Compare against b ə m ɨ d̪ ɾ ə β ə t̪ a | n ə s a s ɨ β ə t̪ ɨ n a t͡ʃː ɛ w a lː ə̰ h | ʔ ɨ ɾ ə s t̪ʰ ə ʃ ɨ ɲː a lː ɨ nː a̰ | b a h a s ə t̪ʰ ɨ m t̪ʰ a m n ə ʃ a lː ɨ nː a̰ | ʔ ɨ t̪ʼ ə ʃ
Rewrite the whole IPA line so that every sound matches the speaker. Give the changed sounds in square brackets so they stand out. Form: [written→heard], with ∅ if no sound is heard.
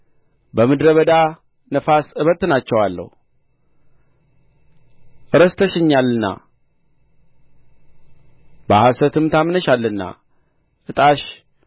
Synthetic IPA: b ə m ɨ d̪ ɾ ə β ə [t̪→d̪] a | n ə [s→f] a s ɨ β ə t̪ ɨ n a t͡ʃː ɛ w a lː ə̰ h | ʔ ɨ ɾ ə s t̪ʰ ə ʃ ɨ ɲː a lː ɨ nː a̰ | b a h a s ə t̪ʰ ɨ m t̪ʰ a m n ə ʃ a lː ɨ nː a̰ | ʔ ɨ t̪ʼ [ə→a] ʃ